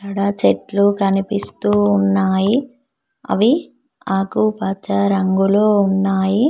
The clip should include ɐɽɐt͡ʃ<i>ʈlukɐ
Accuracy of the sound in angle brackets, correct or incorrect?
incorrect